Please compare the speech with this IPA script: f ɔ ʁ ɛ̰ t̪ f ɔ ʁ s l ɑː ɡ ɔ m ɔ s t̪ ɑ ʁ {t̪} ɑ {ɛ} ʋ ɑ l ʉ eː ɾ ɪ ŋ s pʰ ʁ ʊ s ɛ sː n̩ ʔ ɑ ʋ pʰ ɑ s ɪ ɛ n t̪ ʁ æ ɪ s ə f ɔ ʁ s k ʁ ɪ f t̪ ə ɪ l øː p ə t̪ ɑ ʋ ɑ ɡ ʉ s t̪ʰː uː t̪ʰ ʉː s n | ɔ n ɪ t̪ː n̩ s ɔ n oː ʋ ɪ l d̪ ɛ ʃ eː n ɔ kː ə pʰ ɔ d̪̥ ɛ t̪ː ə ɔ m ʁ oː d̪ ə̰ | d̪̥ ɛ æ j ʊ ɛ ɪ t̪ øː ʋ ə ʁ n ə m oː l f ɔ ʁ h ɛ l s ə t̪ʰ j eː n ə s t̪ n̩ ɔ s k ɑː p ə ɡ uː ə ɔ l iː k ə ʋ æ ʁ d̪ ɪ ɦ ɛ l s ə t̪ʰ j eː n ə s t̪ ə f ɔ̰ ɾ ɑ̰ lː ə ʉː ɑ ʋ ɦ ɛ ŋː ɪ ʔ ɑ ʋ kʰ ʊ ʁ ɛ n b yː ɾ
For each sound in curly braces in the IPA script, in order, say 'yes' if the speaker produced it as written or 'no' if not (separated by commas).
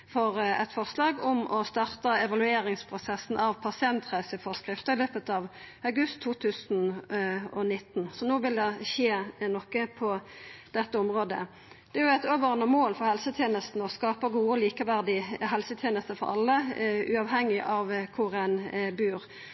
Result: yes, yes